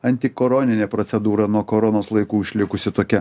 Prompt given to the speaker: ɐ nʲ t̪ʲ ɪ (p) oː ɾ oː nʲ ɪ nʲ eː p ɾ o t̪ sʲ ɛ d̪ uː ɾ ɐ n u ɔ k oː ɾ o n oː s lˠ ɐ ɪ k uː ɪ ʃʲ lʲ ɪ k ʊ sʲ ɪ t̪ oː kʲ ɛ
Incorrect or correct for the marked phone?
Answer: incorrect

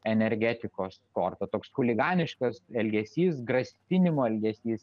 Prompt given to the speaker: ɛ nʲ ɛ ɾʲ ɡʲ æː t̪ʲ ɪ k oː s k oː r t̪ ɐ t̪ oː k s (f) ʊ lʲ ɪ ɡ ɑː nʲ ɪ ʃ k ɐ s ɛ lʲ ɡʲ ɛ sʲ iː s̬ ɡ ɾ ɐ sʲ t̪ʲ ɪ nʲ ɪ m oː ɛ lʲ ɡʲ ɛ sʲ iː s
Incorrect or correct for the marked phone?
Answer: incorrect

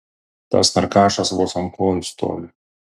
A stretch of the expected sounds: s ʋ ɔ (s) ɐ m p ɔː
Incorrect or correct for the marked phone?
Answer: correct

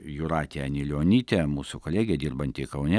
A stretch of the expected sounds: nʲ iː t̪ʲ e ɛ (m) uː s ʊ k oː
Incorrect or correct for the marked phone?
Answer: correct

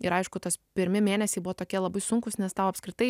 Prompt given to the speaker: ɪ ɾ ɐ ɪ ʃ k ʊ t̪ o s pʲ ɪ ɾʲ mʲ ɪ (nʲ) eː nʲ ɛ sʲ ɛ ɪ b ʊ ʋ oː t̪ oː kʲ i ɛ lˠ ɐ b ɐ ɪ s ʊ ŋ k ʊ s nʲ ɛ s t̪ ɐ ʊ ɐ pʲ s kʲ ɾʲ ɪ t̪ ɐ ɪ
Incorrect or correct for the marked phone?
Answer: incorrect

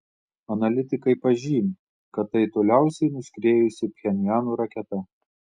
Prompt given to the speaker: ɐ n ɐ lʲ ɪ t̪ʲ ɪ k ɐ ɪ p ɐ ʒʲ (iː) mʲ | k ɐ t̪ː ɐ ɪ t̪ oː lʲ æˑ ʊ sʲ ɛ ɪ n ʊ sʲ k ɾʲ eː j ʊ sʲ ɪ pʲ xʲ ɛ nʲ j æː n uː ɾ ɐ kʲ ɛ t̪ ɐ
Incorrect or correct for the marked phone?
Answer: correct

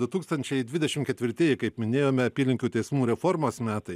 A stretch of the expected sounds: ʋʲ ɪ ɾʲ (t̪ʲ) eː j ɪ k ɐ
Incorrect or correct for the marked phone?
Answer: correct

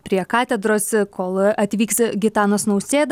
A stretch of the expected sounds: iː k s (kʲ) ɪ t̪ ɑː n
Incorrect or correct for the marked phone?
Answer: incorrect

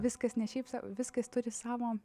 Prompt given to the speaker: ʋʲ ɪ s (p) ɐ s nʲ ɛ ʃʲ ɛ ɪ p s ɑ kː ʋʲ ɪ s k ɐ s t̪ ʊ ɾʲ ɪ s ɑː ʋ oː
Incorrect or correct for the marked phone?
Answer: incorrect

